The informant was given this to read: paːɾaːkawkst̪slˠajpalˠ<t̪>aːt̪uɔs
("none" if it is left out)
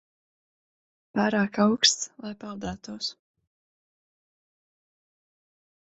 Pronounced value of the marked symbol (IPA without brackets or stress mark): d̪